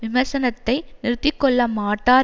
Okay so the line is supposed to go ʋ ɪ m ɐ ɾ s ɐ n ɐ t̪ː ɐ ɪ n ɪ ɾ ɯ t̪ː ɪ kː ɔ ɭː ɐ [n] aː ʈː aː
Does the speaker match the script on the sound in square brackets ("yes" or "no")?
no